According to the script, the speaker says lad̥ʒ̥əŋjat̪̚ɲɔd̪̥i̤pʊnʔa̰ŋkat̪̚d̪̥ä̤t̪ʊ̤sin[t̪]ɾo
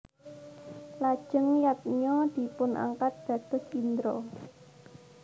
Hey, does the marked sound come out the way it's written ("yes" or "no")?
no